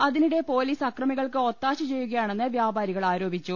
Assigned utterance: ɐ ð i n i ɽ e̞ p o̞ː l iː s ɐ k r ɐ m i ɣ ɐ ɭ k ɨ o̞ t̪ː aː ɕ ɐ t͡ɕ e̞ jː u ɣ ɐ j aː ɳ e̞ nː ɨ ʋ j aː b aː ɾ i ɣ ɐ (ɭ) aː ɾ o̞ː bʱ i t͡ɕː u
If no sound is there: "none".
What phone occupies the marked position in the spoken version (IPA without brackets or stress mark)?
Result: ɭ